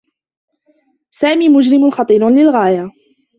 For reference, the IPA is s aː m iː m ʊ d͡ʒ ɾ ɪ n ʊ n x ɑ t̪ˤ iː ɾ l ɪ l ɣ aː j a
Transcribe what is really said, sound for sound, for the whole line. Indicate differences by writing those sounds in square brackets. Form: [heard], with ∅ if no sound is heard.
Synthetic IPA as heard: s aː m iː m ʊ d͡ʒ ɾ ɪ [m] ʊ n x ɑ t̪ˤ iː ɾ l ɪ l ɣ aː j a

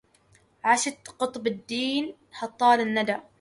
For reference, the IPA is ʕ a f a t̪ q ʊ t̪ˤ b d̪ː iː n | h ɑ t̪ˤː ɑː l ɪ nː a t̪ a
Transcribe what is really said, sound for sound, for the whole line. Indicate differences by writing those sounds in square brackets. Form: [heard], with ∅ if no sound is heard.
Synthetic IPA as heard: ʕ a [ʃ] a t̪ q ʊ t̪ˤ b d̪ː iː n | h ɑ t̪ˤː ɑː l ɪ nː a [d̪] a

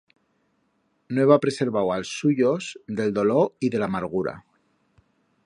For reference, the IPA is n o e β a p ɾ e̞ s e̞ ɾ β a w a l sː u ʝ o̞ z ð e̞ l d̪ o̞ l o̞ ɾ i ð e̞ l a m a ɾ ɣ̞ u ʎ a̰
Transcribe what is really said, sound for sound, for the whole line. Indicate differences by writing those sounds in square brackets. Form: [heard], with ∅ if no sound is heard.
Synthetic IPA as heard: n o e β a p ɾ e̞ s e̞ ɾ β a w a l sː u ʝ o̞ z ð e̞ l d̪ o̞ l o̞ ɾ i ð e̞ l a m a ɾ ɣ̞ u [ɾ] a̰

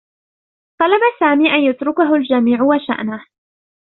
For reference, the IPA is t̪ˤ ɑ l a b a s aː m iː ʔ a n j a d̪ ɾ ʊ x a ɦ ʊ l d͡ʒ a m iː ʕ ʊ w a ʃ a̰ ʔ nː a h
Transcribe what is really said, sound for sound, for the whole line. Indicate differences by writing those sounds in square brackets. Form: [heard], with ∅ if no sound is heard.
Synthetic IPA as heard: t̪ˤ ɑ l a b a s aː m iː ʔ a n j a [t̪] ɾ ʊ [k] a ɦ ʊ l d͡ʒ a m iː ʕ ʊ w a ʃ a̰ ʔ [n] a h

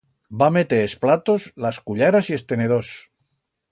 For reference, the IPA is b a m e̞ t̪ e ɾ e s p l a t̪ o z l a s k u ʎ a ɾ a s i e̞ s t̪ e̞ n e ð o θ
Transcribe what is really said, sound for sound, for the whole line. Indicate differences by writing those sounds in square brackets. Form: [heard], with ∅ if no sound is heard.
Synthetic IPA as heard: b a m e̞ t̪ e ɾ e s p l a t̪ o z l a s k u ʎ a ɾ a s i e̞ s t̪ e̞ n e ð o [s]

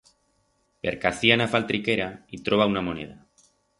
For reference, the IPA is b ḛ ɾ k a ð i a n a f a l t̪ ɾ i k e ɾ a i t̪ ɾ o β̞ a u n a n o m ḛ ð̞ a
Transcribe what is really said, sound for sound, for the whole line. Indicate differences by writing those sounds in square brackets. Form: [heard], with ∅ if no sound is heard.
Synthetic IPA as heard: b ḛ ɾ k a [θ] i a n a f a l t̪ ɾ i k e ɾ a i t̪ ɾ o β̞ a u n a [m] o [n] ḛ ð̞ a

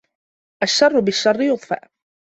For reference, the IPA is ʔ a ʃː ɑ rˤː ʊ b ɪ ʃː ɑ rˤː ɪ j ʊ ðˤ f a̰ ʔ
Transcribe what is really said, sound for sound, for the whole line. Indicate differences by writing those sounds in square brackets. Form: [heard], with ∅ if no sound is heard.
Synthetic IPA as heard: ʔ a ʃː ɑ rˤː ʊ b ɪ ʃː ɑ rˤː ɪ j ʊ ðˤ f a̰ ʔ

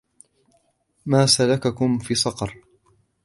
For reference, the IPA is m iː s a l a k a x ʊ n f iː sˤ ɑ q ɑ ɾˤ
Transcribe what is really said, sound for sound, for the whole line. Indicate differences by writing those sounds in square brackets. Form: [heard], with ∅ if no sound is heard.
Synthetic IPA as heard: m [aː] s a l a k a [k] ʊ [m] f iː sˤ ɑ q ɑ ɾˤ

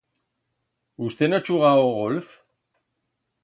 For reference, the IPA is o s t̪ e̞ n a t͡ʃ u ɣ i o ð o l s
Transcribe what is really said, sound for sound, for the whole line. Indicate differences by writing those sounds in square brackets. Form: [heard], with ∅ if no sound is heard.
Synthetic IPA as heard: [u] s t̪ e̞ n a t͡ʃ u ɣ [a] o [ɣ] o l [f]

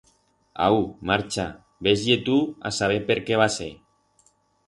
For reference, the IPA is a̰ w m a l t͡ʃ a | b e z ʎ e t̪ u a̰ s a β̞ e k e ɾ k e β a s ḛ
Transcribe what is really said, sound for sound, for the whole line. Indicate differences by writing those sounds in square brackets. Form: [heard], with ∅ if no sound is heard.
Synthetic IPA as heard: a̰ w m a [ɾ] t͡ʃ a | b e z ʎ e t̪ u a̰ s a β̞ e [p] e ɾ k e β a s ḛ

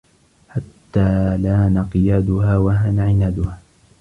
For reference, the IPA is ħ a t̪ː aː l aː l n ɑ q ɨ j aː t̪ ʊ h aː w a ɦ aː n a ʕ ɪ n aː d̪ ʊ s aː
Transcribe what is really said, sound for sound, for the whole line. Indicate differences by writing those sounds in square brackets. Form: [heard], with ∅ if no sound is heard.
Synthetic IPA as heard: ħ a t̪ː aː l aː [∅] n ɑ q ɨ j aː [d̪] ʊ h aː w a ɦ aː n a ʕ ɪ n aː d̪ ʊ [h] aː

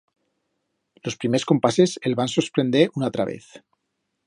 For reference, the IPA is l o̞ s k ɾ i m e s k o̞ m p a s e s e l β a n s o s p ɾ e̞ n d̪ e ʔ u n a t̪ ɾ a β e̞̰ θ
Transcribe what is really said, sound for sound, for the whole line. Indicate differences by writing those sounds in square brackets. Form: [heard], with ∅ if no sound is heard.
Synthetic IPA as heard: l o̞ s [p] ɾ i m e s k o̞ m p a s e s e l β a n s o s p ɾ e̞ n d̪ e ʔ u n a t̪ ɾ a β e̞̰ θ

